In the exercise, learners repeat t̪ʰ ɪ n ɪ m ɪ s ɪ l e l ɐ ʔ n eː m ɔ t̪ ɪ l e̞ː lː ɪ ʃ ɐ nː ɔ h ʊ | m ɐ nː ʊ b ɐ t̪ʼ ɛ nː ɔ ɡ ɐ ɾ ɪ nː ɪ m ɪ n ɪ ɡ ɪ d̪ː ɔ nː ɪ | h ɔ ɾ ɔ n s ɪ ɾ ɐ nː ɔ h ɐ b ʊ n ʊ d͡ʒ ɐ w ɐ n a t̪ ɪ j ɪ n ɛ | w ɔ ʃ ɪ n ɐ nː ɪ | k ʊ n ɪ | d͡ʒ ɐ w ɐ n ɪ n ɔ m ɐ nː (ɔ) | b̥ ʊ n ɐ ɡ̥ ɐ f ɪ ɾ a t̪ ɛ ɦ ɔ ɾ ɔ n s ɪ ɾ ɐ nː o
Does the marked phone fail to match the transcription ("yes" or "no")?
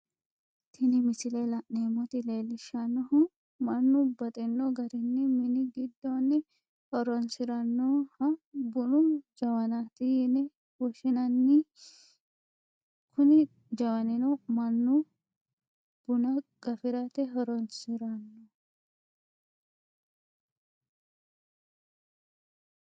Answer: yes